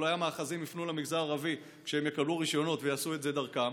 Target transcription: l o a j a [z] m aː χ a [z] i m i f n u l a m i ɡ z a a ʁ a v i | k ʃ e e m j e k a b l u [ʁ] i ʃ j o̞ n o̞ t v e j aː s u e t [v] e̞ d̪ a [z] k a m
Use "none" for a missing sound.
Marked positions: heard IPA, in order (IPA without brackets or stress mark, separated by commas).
none, z, ʁ, z, ʁ